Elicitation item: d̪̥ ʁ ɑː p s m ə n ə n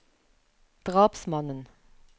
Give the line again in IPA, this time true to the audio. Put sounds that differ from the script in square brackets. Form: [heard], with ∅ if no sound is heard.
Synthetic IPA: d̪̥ ʁ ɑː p s m [ɑ] n ə n